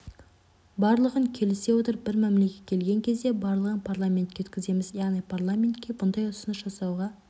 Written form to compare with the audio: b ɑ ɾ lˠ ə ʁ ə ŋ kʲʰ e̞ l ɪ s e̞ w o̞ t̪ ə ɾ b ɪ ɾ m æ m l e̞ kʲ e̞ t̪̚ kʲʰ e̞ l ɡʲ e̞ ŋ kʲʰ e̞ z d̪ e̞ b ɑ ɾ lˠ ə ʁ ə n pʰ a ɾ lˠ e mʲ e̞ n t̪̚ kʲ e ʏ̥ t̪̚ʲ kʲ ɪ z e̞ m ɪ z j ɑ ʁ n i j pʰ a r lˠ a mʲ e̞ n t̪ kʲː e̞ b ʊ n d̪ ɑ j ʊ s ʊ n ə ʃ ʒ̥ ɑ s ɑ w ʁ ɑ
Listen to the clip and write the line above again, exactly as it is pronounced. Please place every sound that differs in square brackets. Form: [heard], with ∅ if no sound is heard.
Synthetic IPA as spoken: b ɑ ɾ lˠ ə ʁ ə ŋ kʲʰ e̞ l ɪ s e̞ w o̞ t̪ ə ɾ b ɪ ɾ m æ m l e̞ kʲ e̞ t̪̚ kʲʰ e̞ l ɡʲ e̞ ŋ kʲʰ e̞ z d̪ e̞ b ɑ ɾ lˠ ə ʁ ə n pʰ a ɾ lˠ [a] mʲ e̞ n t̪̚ kʲ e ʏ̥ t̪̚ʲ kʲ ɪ z e̞ m ɪ z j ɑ ʁ n i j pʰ a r lˠ a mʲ e̞ n t̪ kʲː e̞ b ʊ n d̪ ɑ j ʊ s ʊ n ə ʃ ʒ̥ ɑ s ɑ w ʁ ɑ